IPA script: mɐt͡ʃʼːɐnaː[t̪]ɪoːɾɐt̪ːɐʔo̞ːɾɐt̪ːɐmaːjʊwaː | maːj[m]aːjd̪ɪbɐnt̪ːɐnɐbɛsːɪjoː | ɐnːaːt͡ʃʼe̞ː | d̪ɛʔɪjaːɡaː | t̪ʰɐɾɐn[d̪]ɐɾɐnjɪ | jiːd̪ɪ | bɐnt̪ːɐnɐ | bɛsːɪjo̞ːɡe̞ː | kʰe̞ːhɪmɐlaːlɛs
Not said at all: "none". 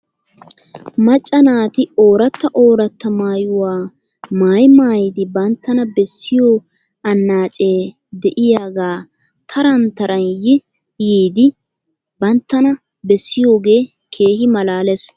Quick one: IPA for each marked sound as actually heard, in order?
t̪, m, t̪

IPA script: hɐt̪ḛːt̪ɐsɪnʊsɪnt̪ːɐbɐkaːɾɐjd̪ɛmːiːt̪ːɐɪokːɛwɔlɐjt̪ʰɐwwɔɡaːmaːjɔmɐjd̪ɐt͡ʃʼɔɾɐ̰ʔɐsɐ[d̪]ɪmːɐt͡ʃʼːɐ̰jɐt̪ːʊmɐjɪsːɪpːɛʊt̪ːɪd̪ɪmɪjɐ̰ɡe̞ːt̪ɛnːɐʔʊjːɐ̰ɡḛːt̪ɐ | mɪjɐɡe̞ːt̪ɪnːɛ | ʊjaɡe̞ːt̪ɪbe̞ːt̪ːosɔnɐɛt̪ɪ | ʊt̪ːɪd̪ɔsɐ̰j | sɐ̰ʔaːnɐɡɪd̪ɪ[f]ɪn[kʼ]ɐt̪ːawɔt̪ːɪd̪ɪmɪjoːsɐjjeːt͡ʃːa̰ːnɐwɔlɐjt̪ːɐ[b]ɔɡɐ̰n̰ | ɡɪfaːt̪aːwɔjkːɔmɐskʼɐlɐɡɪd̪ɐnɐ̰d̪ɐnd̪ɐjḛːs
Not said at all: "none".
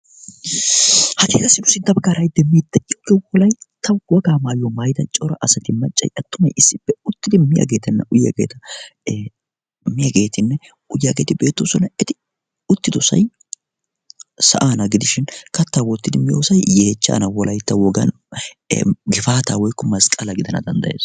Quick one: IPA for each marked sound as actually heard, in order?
t̪, ʃ, k, w

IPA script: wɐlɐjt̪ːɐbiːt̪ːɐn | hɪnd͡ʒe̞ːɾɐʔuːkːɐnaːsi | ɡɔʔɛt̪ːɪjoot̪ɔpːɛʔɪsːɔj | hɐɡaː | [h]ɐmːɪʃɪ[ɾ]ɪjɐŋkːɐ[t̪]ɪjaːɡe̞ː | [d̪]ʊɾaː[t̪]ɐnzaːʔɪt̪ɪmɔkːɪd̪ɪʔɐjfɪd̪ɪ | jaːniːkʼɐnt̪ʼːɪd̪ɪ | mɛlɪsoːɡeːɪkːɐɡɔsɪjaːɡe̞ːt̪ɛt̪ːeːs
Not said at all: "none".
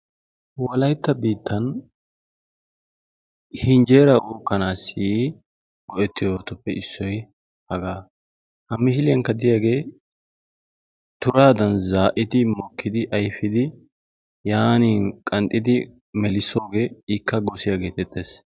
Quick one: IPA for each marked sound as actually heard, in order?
h, l, d̪, t̪, d̪

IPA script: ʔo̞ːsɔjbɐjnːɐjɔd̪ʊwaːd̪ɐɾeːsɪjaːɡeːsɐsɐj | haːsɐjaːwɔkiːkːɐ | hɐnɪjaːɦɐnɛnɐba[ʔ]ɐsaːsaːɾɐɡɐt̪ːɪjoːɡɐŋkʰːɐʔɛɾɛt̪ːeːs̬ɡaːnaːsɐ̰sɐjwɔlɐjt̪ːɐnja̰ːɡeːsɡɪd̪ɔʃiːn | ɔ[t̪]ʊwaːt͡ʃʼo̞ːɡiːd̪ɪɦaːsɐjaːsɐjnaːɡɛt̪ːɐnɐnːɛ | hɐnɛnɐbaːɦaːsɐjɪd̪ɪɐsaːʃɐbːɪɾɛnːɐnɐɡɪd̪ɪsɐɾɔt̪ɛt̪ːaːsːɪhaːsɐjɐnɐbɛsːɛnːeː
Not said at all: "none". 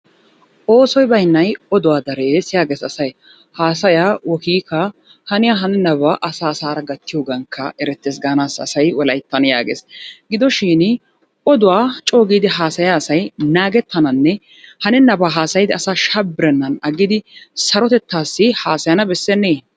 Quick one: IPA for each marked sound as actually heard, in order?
ʔ, d̪

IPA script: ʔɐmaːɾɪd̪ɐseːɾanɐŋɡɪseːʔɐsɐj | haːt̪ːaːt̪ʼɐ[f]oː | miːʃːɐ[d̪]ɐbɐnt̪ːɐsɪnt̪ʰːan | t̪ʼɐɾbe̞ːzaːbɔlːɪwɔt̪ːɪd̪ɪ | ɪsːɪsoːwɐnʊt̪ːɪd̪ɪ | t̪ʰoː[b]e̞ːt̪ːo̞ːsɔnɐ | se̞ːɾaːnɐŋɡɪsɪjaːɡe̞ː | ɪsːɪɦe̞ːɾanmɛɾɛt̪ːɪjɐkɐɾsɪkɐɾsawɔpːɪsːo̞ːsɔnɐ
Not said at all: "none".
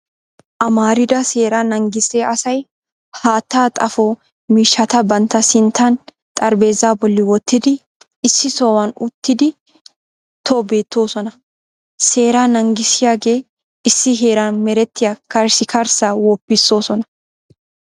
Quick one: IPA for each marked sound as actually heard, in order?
f, t̪, b

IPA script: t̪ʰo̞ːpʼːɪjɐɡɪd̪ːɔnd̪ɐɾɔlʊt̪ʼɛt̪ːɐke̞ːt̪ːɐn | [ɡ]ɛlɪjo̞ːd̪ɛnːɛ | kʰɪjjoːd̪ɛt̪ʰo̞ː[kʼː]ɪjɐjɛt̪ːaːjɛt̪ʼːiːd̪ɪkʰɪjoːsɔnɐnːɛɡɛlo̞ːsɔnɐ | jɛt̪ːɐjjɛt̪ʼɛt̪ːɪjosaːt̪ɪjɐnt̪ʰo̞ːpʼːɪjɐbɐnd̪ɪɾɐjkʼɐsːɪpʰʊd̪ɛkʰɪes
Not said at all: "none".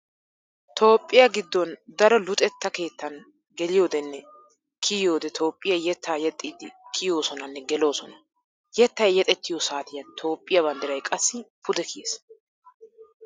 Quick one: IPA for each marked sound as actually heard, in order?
ɡ, pʼː

